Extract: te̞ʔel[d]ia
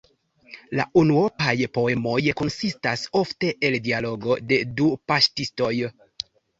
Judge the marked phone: correct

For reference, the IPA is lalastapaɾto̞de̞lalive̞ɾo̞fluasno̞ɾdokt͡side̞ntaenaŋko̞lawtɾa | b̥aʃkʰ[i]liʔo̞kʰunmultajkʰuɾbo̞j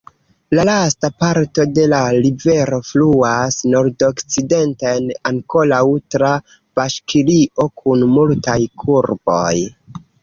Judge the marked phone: correct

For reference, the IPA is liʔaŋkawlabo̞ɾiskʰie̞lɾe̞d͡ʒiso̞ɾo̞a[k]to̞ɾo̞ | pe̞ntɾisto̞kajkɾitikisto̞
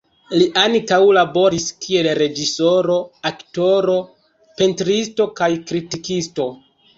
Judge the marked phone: correct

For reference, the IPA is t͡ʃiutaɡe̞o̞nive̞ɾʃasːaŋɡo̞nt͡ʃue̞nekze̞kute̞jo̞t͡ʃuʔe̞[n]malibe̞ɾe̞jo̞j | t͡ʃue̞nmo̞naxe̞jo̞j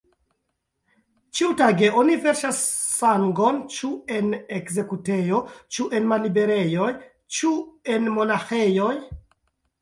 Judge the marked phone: correct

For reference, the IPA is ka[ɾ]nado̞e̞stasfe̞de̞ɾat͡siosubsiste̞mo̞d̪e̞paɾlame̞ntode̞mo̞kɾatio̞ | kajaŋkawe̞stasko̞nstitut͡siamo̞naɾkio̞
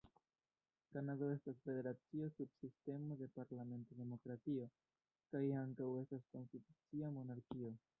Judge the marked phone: incorrect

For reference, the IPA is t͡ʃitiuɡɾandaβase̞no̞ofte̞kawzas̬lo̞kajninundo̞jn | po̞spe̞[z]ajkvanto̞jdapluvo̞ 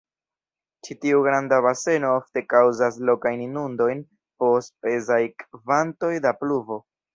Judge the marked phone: correct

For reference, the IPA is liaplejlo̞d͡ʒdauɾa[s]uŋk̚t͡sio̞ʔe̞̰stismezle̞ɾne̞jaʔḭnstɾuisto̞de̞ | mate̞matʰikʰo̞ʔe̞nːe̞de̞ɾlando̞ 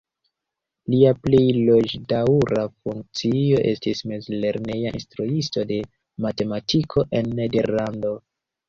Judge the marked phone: incorrect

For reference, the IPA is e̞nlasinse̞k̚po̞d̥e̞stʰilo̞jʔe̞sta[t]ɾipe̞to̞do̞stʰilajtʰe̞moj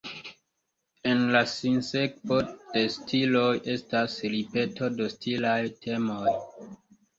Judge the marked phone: incorrect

